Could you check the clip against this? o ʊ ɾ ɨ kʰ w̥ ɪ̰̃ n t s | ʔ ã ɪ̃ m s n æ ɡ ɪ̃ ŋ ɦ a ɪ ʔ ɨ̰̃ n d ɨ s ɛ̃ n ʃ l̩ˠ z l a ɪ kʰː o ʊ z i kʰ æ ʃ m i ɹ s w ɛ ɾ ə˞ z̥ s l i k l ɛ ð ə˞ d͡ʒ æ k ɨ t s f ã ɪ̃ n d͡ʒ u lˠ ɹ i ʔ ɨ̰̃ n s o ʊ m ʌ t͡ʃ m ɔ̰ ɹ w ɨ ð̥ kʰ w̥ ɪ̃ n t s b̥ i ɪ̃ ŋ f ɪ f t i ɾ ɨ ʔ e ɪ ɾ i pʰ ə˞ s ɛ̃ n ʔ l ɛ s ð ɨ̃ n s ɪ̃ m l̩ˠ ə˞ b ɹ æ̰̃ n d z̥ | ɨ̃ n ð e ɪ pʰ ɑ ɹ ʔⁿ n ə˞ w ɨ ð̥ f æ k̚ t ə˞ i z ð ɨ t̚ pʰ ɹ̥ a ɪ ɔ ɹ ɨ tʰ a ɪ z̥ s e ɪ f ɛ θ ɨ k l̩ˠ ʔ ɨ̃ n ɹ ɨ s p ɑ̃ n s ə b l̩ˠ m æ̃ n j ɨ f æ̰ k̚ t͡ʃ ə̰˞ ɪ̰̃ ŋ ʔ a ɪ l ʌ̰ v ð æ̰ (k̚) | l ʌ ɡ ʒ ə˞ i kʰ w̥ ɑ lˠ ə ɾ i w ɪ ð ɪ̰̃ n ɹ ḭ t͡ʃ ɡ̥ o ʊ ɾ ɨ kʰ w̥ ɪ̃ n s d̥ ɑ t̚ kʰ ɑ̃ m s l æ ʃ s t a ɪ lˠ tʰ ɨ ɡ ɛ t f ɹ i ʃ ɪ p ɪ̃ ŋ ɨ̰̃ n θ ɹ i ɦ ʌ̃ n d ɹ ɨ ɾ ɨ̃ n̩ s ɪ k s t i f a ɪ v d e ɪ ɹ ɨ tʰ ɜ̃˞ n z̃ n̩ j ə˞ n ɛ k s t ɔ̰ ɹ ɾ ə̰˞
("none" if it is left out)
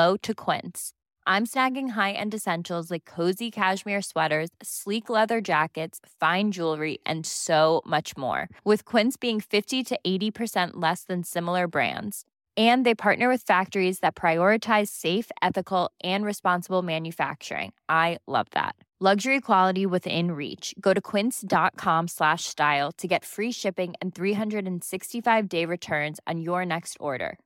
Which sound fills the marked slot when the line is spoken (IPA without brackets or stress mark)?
t̚